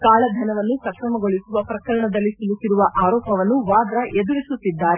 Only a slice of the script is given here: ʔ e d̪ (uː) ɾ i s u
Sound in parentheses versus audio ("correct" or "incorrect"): incorrect